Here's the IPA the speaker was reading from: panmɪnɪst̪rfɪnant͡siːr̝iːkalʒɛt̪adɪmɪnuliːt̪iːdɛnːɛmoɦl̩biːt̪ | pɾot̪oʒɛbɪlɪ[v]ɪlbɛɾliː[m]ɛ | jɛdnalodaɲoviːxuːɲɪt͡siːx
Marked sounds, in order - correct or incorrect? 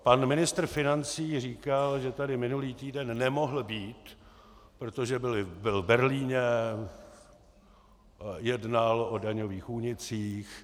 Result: incorrect, incorrect

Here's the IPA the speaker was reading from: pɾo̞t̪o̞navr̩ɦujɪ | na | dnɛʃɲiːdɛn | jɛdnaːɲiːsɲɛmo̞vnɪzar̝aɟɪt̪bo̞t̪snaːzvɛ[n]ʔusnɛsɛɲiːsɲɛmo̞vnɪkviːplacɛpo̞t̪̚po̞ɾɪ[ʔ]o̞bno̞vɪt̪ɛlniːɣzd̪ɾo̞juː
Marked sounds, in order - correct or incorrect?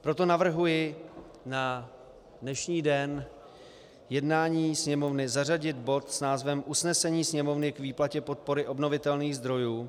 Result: incorrect, correct

